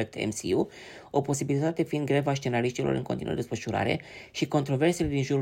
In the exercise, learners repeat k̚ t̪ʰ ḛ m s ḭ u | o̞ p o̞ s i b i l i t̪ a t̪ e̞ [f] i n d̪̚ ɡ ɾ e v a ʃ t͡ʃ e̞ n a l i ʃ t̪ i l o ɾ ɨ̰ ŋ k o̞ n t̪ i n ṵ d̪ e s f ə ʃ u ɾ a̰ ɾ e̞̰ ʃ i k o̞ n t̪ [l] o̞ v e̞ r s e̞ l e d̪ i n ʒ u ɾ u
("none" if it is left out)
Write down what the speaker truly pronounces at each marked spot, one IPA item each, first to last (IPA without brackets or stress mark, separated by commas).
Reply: f, ɾ